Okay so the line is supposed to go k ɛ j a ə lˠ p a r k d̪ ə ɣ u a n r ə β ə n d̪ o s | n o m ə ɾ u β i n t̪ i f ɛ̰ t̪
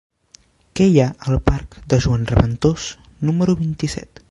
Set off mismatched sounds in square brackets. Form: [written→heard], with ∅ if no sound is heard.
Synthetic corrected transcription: k ɛ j a ə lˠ p a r k d̪ ə [ɣ→ʒ] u a n r ə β ə n [d̪→t̪] o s | n [o→u] m ə ɾ u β i n t̪ i [f→s] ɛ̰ t̪